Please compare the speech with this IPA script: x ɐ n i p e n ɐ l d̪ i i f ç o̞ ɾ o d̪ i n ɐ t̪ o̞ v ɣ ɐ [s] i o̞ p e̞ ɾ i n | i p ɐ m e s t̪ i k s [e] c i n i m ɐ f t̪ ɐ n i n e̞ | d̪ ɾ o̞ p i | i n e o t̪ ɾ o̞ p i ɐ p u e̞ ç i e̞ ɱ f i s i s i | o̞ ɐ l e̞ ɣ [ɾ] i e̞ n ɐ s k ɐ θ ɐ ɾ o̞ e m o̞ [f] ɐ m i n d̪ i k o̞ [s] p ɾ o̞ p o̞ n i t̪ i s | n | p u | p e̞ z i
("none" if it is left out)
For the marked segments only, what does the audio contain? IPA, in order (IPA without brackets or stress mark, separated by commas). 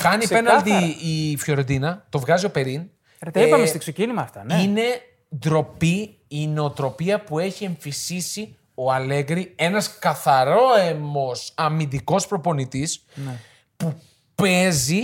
z, e, ɾ, s, s